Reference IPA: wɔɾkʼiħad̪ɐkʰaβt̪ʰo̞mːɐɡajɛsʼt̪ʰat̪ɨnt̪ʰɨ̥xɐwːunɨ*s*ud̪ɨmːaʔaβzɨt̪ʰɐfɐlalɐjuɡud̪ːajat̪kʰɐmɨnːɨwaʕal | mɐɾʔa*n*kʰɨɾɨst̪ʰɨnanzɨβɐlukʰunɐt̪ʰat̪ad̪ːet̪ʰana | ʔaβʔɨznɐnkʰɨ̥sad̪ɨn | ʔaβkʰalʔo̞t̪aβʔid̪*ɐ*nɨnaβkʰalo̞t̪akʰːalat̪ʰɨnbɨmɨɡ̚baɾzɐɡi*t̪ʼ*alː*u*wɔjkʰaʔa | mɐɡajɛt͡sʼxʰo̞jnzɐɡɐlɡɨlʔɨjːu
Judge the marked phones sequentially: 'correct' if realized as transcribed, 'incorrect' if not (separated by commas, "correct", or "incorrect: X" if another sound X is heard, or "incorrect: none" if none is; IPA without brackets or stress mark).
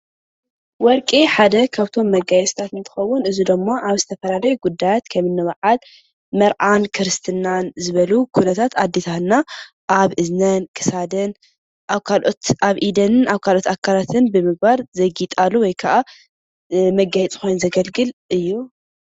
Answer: incorrect: z, correct, correct, correct, correct